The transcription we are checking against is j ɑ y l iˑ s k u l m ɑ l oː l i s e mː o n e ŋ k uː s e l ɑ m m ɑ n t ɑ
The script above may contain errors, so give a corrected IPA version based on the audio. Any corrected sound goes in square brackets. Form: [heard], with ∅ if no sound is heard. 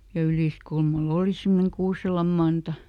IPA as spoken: j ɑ y l iˑ s k u l m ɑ l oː l i s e mː o n e ŋ k uː s e l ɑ m m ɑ n t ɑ